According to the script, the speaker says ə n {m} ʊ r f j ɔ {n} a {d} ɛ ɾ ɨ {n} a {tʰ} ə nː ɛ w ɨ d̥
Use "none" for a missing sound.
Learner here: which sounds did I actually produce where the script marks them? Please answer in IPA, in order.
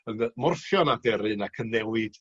m, n, d, n, kʰ

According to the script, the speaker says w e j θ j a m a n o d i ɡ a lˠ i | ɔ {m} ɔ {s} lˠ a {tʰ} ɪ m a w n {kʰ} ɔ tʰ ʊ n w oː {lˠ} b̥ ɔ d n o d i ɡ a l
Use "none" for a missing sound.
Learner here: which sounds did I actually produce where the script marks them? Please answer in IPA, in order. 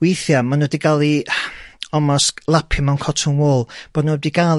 m, s, pʰ, kʰ, lˠ

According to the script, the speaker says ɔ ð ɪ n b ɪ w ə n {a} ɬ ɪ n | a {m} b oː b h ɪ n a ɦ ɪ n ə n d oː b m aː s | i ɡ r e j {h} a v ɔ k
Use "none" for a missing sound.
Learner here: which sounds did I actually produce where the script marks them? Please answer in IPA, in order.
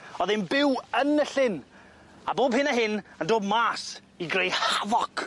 ə, none, h

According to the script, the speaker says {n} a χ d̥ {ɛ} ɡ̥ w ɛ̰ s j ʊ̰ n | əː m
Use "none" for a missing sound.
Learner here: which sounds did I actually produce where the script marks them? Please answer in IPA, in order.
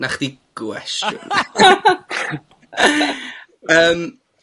n, i

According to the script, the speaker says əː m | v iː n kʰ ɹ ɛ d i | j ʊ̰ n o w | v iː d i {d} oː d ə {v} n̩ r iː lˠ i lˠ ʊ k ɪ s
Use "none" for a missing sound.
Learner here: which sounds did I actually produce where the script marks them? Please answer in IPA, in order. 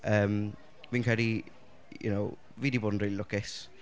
b, none

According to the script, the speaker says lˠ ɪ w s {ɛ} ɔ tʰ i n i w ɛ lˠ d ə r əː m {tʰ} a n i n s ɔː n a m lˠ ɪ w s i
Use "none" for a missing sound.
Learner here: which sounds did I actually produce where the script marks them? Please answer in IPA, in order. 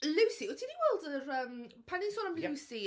i, pʰ

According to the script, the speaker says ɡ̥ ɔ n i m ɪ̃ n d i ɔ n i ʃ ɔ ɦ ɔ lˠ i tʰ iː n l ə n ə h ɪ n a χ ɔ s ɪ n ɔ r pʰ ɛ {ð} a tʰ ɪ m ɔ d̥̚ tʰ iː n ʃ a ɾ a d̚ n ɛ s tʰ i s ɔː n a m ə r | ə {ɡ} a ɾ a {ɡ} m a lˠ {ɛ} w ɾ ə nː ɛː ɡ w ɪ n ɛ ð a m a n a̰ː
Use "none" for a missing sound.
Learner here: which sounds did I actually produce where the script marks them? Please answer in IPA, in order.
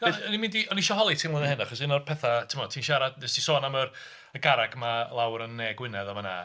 θ, ɡ, ɡ, a

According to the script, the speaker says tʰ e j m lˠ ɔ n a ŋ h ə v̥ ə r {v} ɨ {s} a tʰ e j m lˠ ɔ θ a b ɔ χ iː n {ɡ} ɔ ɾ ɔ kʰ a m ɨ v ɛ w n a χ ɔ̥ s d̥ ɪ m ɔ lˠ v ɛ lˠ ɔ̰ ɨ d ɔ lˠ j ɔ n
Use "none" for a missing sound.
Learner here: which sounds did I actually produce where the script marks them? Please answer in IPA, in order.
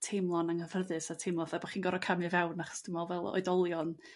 ð, s, ɡ

